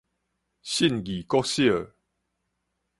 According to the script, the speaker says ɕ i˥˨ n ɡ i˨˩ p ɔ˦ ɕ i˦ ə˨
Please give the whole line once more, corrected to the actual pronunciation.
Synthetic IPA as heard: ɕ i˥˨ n ɡ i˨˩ k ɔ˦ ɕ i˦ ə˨